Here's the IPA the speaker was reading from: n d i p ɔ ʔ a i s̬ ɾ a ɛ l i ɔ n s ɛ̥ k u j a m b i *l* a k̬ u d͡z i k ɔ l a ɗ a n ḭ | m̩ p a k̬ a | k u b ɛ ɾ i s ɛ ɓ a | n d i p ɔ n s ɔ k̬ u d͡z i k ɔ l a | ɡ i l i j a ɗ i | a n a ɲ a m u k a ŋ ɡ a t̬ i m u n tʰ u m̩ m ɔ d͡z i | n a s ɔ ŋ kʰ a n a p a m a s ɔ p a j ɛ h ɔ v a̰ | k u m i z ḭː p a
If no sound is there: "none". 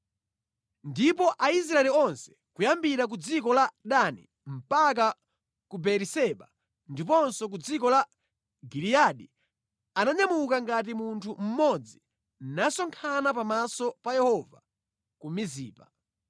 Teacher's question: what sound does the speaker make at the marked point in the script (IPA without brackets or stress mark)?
ɾ